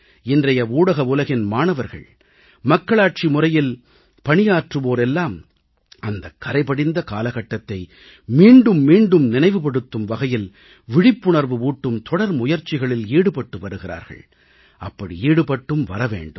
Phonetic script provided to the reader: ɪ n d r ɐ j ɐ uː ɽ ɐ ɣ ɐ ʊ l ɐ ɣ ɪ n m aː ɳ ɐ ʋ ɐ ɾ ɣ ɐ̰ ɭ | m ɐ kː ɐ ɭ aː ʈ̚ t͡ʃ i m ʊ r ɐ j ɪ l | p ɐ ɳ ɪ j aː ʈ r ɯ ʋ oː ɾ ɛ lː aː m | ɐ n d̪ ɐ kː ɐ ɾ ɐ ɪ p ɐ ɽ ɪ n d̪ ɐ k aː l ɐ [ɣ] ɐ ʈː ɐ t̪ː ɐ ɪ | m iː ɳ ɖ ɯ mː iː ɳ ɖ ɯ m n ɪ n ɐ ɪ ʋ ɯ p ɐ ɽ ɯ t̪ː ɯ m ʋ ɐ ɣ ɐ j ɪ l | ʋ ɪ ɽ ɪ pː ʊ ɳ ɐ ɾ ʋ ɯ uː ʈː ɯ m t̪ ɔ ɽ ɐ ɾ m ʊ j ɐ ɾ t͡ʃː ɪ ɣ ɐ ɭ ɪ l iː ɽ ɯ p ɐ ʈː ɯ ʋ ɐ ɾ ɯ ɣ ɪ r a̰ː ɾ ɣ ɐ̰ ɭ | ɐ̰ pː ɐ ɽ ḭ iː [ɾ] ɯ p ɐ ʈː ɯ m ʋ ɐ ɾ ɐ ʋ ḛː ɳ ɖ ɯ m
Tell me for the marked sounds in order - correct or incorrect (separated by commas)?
correct, incorrect